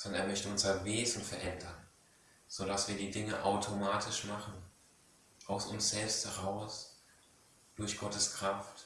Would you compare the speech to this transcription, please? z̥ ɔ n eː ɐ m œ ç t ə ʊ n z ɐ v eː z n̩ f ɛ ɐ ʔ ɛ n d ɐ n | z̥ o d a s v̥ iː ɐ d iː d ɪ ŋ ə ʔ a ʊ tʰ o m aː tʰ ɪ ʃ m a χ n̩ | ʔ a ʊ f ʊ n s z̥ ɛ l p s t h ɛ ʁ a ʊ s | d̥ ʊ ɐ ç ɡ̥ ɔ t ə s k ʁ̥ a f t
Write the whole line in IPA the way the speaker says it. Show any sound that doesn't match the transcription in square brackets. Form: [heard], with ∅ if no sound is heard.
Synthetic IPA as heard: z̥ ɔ n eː ɐ m œ ç t ə ʊ n z ɐ v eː z n̩ f ɛ ɐ ʔ ɛ n d ɐ n | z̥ o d a s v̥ iː ɐ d iː d ɪ ŋ ə ʔ a ʊ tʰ o m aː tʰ ɪ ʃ m a χ n̩ | ʔ a ʊ [s] ʊ n s z̥ ɛ l p s t h ɛ ʁ a ʊ s | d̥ ʊ ɐ ç ɡ̥ ɔ t ə s k ʁ̥ a f t